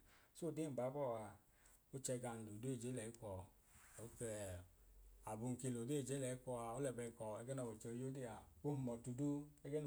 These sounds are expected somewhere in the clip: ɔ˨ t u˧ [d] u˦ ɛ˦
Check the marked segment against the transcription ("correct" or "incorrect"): correct